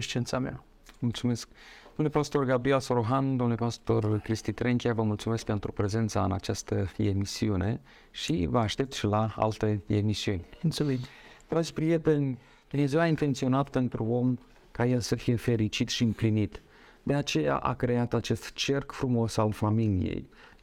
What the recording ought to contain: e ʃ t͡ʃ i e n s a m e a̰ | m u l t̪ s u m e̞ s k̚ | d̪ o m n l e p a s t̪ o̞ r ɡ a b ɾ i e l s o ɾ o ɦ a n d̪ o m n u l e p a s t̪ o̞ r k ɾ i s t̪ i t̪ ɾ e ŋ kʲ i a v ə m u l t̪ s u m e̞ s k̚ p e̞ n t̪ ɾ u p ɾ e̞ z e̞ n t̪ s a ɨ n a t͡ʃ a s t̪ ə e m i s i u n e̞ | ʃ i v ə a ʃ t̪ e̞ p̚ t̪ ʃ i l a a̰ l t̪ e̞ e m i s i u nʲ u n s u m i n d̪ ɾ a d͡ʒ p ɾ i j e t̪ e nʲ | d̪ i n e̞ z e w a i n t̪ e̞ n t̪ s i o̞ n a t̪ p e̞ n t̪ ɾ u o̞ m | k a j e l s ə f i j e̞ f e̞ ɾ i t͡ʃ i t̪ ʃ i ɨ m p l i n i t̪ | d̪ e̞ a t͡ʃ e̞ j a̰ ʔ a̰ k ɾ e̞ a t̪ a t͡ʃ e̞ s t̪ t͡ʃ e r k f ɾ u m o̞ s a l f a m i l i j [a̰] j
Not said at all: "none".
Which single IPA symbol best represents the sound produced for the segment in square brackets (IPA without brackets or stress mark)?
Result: ḛ